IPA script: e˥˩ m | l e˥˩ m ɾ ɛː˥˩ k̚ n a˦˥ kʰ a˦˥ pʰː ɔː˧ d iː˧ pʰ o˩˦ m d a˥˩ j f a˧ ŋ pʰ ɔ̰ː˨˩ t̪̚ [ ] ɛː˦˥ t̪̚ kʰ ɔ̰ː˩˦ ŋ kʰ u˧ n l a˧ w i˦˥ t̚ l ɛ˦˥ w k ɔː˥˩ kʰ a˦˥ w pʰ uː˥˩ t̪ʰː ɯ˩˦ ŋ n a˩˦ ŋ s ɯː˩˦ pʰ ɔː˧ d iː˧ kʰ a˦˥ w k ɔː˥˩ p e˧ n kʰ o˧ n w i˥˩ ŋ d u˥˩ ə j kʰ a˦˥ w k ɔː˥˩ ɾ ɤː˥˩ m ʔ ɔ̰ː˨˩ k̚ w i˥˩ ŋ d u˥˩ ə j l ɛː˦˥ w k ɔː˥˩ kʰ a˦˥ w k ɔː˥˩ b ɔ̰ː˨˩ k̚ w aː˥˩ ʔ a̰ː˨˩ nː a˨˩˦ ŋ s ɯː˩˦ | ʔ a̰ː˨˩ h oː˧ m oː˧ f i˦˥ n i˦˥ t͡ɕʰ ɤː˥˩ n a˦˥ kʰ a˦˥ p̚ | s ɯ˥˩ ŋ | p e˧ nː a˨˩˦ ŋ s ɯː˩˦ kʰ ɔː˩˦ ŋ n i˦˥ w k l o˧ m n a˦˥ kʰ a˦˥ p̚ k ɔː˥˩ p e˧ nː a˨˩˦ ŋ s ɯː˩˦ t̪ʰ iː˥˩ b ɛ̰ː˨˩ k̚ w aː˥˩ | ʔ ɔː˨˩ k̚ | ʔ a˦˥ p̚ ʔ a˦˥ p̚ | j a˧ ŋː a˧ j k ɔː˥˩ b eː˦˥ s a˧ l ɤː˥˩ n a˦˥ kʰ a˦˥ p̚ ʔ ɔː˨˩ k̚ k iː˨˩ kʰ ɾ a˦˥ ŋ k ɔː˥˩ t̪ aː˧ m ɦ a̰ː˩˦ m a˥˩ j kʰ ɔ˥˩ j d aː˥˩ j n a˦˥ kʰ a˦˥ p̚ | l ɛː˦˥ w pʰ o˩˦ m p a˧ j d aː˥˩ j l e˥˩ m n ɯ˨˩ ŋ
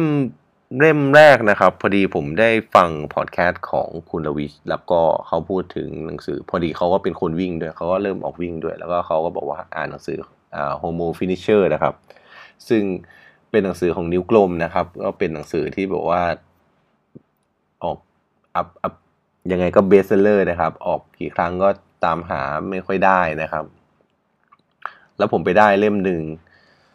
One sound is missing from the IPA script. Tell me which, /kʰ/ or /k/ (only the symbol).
kʰ